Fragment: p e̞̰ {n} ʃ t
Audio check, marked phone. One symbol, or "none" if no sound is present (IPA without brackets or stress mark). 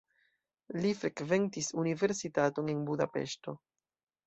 none